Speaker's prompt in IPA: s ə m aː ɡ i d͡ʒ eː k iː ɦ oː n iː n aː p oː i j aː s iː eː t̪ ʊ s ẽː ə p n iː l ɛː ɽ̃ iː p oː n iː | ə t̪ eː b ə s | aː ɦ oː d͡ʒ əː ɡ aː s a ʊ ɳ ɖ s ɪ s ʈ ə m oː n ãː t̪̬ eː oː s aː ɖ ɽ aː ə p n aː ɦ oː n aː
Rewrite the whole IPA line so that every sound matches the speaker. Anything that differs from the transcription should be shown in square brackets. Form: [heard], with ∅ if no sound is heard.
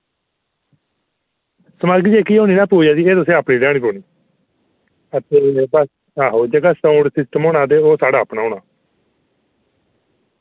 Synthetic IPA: s ə m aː ɡ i d͡ʒ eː k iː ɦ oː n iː n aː p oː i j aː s iː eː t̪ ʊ s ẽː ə p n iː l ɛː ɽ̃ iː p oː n iː | ə t̪ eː b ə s | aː ɦ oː d͡ʒ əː ɡ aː s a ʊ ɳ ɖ s ɪ s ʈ ə m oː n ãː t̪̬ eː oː s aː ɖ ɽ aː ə p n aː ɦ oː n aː